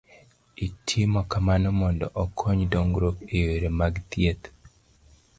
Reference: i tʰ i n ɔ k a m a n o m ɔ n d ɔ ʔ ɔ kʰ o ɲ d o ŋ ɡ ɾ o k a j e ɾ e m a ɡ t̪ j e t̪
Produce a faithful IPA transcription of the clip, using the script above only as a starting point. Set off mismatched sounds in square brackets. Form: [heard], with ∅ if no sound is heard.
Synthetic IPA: i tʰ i [m] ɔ k a m a n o m ɔ n d ɔ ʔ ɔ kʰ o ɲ d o ŋ ɡ ɾ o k [e] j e ɾ e m a ɡ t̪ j e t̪